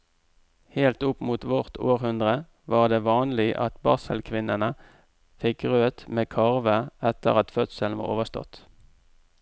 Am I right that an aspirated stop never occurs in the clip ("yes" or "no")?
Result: no